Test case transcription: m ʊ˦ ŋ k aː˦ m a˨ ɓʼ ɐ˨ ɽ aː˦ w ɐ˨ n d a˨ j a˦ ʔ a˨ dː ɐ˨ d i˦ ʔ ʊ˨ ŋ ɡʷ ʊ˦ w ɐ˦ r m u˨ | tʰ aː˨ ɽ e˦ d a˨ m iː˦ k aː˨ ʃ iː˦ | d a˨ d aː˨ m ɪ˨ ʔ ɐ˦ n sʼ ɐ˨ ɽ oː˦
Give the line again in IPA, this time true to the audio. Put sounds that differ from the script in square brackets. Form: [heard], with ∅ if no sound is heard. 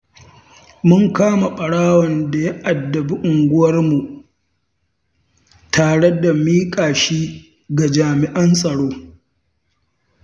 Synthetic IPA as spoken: m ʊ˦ ŋ k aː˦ m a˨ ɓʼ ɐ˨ ɽ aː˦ w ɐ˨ n d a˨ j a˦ ʔ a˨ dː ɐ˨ [b] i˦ ʔ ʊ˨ ŋ ɡʷ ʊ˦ w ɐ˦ r m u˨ | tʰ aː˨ ɽ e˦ d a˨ m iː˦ [kʼ] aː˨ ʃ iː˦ | [ɡ] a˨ [d͡ʒ] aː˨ m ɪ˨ ʔ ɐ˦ n sʼ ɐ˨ ɽ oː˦

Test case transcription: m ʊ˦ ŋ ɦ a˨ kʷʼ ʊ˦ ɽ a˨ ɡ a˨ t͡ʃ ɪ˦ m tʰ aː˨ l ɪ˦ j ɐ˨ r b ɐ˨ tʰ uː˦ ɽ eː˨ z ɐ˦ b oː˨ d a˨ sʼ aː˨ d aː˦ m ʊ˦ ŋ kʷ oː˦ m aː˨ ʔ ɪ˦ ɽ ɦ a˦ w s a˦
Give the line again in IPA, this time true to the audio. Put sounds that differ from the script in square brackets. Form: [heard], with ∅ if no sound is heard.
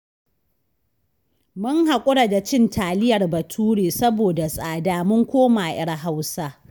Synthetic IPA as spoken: m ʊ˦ ŋ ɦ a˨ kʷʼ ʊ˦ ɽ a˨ [d] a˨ t͡ʃ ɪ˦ [n] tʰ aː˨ l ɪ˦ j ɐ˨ r b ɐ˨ tʰ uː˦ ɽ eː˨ [s] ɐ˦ b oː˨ d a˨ sʼ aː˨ d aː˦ m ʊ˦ ŋ kʷ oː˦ m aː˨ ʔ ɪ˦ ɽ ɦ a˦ w s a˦

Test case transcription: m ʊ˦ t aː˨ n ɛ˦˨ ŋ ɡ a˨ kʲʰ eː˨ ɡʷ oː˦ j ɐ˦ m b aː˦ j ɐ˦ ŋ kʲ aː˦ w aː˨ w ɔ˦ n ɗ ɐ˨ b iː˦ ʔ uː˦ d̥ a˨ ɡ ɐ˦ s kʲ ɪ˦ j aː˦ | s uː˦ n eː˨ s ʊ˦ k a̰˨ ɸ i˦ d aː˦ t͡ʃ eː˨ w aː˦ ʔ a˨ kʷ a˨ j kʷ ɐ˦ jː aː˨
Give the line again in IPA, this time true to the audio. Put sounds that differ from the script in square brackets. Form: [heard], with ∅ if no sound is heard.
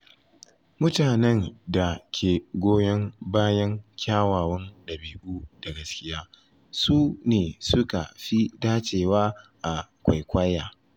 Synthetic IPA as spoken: m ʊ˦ t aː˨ n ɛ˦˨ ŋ [d] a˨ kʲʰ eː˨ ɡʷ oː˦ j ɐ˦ [ŋ] b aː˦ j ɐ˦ ŋ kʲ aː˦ w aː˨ w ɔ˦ n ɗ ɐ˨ b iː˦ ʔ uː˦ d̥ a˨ ɡ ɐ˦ s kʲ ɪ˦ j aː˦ | s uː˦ n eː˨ s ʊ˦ k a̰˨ ɸ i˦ d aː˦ t͡ʃ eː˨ w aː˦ ʔ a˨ kʷ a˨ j kʷ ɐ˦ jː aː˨

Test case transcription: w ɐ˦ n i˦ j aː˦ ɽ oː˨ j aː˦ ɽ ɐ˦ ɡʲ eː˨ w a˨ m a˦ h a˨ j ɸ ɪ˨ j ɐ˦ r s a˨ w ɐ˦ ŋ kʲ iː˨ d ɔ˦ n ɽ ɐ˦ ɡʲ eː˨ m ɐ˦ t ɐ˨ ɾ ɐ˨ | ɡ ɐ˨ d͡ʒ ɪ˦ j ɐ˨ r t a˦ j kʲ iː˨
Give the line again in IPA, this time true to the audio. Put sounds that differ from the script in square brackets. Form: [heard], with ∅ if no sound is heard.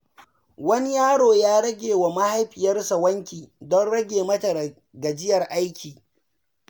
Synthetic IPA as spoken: w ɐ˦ n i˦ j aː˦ ɽ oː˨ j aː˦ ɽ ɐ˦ ɡʲ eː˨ w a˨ m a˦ h [a˦] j ɸ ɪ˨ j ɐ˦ r s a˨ w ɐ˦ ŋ kʲ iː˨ d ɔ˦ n ɽ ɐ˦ ɡʲ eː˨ m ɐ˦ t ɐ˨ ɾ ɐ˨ | ɡ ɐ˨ d͡ʒ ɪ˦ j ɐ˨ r [ʔ] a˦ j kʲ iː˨

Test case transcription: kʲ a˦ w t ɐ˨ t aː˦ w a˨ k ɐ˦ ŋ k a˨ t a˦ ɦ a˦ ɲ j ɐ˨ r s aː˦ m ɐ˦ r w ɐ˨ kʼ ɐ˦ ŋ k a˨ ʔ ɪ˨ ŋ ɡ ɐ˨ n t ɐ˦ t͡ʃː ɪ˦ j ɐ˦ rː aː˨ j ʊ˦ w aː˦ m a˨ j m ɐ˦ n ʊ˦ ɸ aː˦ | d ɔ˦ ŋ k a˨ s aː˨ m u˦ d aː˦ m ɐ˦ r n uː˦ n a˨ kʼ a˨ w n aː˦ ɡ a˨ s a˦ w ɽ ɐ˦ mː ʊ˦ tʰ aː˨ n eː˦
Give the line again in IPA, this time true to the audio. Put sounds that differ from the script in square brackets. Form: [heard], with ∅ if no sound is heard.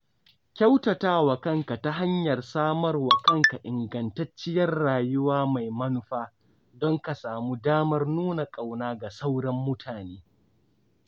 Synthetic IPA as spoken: kʲ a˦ w t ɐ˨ t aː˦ w [ɐ˨] k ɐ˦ ŋ k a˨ t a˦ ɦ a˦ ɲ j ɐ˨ r s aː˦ m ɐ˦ r w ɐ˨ [k] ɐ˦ ŋ k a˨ ʔ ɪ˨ ŋ ɡ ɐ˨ n t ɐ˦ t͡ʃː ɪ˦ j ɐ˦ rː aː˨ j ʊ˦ w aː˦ m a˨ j m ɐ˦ n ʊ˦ ɸ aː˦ | d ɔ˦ ŋ k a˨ s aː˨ m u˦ d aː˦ m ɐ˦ r n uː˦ n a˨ kʼ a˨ w n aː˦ ɡ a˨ s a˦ w ɽ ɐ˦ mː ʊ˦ tʰ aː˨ n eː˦

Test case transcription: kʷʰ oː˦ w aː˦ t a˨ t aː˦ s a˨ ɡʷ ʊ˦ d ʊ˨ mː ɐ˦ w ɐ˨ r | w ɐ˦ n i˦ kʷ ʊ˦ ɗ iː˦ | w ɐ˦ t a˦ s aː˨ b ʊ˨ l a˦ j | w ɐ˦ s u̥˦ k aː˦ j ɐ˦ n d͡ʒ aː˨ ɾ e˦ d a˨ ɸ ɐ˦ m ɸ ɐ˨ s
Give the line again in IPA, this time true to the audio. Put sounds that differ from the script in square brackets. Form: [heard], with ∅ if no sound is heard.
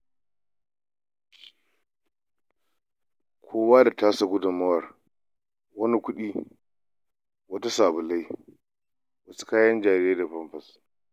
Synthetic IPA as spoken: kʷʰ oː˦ w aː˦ [d] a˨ t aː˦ s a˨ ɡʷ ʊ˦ d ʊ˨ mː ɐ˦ w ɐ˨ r | w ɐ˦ n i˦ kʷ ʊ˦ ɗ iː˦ | w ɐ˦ t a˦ s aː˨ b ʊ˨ l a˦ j | w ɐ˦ s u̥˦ k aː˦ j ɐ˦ n d͡ʒ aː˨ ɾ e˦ d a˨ ɸ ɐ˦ m ɸ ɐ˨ s

